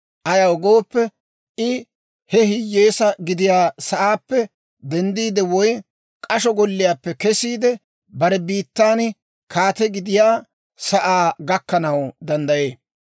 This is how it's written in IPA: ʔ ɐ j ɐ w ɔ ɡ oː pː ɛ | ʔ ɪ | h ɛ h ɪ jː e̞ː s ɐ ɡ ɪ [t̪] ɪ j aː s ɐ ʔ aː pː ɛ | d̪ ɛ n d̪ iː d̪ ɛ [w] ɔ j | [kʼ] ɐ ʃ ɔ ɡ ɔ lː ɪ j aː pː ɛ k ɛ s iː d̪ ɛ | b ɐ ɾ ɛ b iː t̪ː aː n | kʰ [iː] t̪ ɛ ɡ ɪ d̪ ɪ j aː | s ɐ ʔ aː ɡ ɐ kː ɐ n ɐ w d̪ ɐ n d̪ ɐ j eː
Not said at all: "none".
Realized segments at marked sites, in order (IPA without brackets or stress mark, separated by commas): d̪, w, kʼ, aː